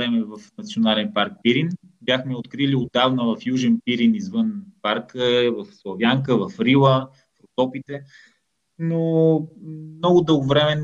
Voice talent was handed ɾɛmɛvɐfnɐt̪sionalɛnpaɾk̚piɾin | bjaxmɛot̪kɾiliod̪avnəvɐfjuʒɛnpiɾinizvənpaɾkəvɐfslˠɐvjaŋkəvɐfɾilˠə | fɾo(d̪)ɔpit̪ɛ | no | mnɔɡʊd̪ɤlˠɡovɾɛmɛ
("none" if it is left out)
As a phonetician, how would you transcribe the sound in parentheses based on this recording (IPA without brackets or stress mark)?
t̪